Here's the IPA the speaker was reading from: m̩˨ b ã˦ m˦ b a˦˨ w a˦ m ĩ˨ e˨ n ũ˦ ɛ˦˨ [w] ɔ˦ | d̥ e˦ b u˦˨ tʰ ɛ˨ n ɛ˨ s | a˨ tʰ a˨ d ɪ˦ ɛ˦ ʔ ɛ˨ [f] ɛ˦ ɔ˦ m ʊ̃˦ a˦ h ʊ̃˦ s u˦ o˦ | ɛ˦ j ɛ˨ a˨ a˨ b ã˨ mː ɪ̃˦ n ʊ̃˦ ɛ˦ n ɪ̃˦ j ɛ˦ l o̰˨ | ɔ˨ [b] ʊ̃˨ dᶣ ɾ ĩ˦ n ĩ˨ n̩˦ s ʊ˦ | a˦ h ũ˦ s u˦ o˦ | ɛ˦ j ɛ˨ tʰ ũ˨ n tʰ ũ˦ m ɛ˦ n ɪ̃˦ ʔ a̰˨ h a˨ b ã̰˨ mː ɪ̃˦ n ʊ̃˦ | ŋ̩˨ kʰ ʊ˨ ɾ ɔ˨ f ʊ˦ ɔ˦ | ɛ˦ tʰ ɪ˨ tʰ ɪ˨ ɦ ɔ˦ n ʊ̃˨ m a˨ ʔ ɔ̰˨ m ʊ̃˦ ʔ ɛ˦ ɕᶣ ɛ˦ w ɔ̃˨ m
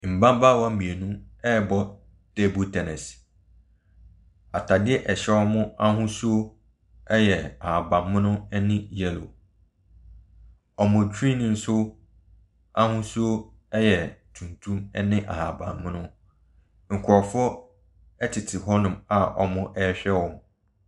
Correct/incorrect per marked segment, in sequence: incorrect, incorrect, incorrect

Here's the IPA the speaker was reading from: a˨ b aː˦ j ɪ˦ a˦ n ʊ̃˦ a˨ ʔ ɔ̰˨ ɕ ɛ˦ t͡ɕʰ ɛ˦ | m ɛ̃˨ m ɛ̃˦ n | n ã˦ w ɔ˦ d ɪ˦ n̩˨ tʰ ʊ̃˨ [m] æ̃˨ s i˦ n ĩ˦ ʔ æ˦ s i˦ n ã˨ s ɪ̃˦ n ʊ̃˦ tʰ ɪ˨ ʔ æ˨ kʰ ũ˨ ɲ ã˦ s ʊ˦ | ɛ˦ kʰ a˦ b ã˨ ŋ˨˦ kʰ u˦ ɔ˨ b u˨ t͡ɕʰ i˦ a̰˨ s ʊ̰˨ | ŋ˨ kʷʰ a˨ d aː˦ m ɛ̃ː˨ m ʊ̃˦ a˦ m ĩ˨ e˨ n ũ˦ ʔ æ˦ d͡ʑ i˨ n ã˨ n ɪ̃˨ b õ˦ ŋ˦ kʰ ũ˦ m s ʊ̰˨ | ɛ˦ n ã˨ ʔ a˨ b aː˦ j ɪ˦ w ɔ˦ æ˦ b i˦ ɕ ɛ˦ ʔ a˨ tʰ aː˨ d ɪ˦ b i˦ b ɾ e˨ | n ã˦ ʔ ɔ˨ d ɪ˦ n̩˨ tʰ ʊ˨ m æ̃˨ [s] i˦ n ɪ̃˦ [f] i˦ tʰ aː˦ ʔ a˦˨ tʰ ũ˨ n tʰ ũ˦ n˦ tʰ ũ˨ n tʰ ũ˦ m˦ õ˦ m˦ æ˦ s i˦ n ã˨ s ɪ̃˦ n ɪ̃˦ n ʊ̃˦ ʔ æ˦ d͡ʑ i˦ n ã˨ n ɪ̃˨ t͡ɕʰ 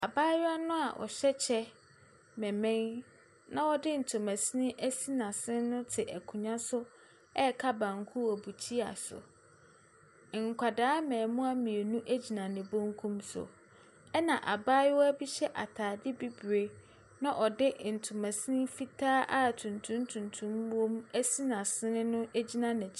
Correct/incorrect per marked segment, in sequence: correct, correct, correct

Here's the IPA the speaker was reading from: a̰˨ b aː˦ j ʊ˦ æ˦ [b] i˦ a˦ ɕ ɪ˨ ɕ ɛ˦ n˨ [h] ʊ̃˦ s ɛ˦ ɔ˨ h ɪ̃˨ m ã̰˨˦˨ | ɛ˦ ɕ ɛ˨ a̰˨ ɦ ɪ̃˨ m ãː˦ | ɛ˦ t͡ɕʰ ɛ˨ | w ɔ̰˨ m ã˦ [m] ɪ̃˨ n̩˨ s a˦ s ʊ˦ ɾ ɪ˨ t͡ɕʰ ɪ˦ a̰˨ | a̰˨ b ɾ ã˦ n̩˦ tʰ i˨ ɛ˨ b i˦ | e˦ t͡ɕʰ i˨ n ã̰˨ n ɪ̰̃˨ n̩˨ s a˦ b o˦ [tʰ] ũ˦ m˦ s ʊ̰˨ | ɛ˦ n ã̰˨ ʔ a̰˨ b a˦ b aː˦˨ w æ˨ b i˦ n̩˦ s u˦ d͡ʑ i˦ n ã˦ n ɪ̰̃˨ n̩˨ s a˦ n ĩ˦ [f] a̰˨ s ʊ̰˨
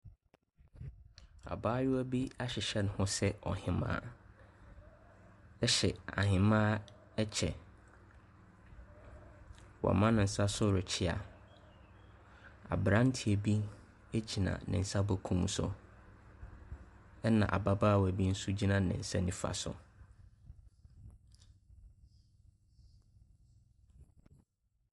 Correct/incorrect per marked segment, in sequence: correct, correct, incorrect, incorrect, correct

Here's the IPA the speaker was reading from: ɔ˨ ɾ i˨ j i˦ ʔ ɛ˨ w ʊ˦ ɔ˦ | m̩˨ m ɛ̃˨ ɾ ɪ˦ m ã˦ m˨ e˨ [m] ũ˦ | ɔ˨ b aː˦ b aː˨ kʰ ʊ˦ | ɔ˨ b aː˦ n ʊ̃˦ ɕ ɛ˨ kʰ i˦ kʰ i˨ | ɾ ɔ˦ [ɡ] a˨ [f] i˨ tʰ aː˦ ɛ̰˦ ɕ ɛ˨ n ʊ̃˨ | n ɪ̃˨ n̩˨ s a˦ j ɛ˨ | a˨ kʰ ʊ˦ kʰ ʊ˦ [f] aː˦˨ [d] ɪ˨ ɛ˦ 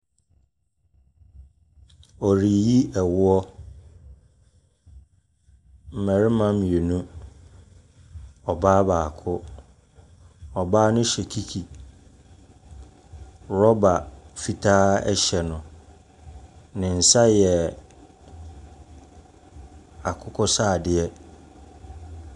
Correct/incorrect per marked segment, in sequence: incorrect, incorrect, correct, incorrect, correct

